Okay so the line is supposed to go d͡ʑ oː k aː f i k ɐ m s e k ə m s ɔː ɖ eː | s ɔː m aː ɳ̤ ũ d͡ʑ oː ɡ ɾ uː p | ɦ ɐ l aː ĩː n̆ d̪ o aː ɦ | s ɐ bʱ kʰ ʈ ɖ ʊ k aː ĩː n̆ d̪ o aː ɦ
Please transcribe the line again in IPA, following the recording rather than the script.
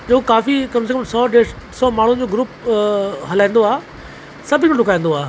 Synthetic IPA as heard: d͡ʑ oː k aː f i k ɐ m s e k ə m s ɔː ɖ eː | s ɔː m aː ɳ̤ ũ d͡ʑ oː ɡ ɾ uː p | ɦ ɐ l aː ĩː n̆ d̪ o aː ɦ | s ɐ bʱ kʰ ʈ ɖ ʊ k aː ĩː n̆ d̪ o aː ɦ